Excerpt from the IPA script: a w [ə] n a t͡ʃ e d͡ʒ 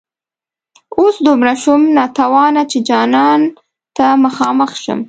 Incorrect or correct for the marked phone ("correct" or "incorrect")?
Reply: incorrect